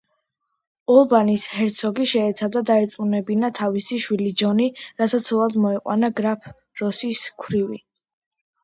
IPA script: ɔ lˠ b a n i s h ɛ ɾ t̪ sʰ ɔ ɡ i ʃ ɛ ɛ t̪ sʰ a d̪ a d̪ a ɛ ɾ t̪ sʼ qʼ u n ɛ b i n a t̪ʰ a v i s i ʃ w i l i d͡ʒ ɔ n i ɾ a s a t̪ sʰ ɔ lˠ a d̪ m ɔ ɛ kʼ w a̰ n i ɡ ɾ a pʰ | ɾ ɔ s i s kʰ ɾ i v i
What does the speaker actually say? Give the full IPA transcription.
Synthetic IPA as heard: ɔ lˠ b a n i s h ɛ ɾ t̪ sʰ ɔ ɡ i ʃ ɛ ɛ t̪ sʰ a d̪ a d̪ a ɛ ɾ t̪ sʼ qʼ u n ɛ b i n a t̪ʰ a v i s i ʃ w i l i d͡ʒ ɔ n i ɾ a s a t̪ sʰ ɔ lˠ a d̪ m ɔ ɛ qʼ w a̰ n a ɡ ɾ a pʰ | ɾ ɔ s i s kʰ ɾ i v i

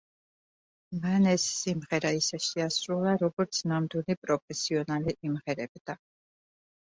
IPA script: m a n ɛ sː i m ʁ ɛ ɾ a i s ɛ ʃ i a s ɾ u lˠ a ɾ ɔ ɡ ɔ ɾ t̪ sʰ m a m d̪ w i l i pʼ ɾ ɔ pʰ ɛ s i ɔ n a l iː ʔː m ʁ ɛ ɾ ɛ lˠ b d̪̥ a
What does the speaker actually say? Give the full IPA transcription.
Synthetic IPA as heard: m a n ɛ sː i m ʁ ɛ ɾ a i s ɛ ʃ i a s ɾ u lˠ a ɾ ɔ ɡ ɔ ɾ t̪ sʰ n a m d̪ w i l i pʼ ɾ ɔ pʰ ɛ s i ɔ n a l i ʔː m ʁ ɛ ɾ ɛ b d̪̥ a

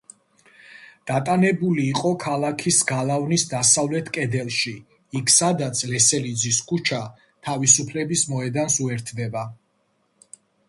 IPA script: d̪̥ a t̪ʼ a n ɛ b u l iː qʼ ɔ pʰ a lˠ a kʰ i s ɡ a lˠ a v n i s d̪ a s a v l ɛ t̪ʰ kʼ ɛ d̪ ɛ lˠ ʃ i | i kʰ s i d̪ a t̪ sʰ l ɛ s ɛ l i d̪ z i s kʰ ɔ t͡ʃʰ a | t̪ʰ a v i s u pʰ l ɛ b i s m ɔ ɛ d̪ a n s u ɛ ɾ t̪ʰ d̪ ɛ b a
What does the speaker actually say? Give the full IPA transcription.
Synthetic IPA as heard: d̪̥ a t̪ʼ a n ɛ b u l iː qʼ ɔ kʰ a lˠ a kʰ i s ɡ a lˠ a v n i s d̪ a s a v l ɛ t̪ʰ kʼ ɛ d̪ ɛ lˠ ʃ i | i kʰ s a d̪ a t̪ sʰ l ɛ s ɛ l i d̪ z i s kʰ u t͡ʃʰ a | t̪ʰ a v i s u pʰ l ɛ b i s m ɔ ɛ d̪ a n s u ɛ ɾ t̪ʰ d̪ ɛ b a

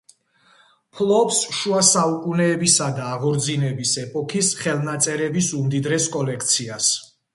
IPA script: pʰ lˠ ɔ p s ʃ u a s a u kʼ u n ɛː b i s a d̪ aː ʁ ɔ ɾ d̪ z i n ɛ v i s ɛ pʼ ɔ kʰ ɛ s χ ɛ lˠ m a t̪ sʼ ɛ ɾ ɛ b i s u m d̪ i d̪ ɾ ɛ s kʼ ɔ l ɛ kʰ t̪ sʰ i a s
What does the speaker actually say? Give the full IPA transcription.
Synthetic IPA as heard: pʰ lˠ ɔ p s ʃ u a s a u kʼ u n ɛː b i s a d̪ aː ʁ ɔ ɾ d̪ z i n ɛ b i s ɛ pʼ ɔ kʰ i s χ ɛ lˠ n a t̪ sʼ ɛ ɾ ɛ b i s u m d̪ i d̪ ɾ ɛ s kʼ ɔ l ɛ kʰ t̪ sʰ i a s

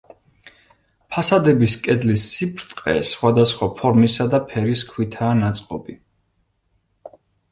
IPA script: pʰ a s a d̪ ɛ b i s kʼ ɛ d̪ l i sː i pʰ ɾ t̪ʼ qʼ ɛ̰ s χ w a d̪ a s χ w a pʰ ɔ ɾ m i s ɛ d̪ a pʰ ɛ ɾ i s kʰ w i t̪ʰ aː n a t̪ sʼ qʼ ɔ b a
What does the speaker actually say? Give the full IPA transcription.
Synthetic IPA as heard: pʰ a s a d̪ ɛ b i s kʼ ɛ d̪ l i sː i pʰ ɾ t̪ʼ qʼ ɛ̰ s χ w a d̪ a s χ w a pʰ ɔ ɾ m i s a d̪ a pʰ ɛ ɾ i s kʰ w i t̪ʰ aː n a t̪ sʼ qʼ ɔ b i

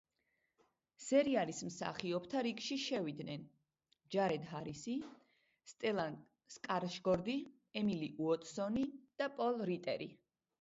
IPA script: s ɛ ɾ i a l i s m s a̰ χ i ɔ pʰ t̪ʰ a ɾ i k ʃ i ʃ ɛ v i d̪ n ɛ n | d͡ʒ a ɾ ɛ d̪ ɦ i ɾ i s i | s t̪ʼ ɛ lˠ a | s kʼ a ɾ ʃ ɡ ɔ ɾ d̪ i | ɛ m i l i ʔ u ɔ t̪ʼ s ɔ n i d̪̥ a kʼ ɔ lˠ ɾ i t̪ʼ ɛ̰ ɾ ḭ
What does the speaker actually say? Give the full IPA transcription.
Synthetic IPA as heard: s ɛ ɾ i a l i s m s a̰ χ i ɔ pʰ t̪ʰ a ɾ i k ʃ i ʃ ɛ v i d̪ n ɛ n | d͡ʒ a ɾ ɛ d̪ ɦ a ɾ i s i | s t̪ʼ ɛ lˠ a | s kʼ a ɾ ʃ ɡ ɔ ɾ d̪ i | ɛ m i l i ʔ u ɔ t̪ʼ s ɔ n i d̪̥ a pʼ ɔ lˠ ɾ i t̪ʼ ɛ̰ ɾ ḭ

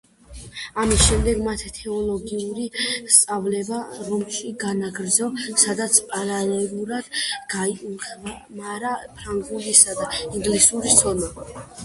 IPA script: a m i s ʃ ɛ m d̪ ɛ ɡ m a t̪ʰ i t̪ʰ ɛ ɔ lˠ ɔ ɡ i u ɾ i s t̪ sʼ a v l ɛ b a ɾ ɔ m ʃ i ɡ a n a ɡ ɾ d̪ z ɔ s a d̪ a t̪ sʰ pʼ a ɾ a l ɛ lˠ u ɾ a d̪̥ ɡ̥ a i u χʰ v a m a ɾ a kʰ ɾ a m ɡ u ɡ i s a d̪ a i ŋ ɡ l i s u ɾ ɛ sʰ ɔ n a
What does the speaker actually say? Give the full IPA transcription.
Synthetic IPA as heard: a m i s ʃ ɛ m d̪ ɛ ɡ m a t̪ʰ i t̪ʰ ɛ ɔ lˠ ɔ ɡ i u ɾ i s t̪ sʼ a v l ɛ b a ɾ ɔ m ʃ i ɡ a n a ɡ ɾ d̪ z ɔ s a d̪ a t̪ sʰ pʼ a ɾ a l ɛ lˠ u ɾ a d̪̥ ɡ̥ a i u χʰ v a m a ɾ a pʰ ɾ a ŋ ɡ u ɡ i s a d̪ a i ŋ ɡ l i s u ɾ i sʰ ɔ n a

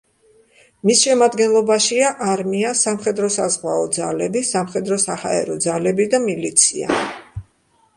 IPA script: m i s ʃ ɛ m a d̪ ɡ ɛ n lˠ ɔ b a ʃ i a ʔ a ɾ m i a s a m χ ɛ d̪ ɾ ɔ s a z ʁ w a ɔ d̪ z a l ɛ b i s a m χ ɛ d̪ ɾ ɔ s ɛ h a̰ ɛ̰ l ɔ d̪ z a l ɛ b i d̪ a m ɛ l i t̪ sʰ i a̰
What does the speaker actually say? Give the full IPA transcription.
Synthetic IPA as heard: m i s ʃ ɛ m a d̪ ɡ ɛ n lˠ ɔ b a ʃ i a ʔ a ɾ m i a s a m χ ɛ d̪ ɾ ɔ s a z ʁ w a ɔ d̪ z a l ɛ b i s a m χ ɛ d̪ ɾ ɔ s a h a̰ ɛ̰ ɾ ɔ d̪ z a l ɛ b i d̪ a m i l i t̪ sʰ i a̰

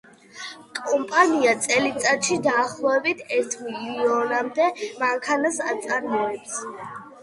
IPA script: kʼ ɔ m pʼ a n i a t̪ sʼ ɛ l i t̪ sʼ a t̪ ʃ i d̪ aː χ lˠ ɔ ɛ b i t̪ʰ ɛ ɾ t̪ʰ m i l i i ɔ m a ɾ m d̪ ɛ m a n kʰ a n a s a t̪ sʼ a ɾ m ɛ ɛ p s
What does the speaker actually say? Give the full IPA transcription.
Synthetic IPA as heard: kʼ ɔ m pʼ a n i a t̪ sʼ ɛ l i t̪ sʼ a t̪ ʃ i d̪ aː χ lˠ ɔ ɛ b i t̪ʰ ɛ ɾ t̪ʰ m i l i i ɔ n a m d̪ ɛ m a ŋ kʰ a n a s a t̪ sʼ a ɾ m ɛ ɛ p s

